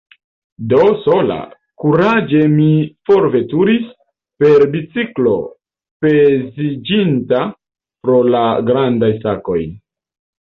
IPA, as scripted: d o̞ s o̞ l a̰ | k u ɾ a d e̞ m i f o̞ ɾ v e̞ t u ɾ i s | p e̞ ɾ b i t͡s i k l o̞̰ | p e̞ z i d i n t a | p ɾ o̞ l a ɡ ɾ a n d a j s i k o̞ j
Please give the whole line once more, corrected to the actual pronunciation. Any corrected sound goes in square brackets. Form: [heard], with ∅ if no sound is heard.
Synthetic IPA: d o̞ s o̞ l a̰ | k u ɾ a [d͡ʒ] e̞ m i f o̞ ɾ v e̞ t u ɾ i s | p e̞ ɾ b i t͡s i k l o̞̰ | p e̞ z i [d͡ʒ] i n t a | p ɾ o̞ l a ɡ ɾ a n d a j s [a] k o̞ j